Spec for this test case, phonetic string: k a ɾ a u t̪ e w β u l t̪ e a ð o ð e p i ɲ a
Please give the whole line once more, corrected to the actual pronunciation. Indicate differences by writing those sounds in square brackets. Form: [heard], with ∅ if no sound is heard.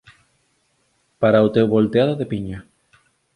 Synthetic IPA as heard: [p] a ɾ a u t̪ e w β [o] l t̪ e a ð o ð e p i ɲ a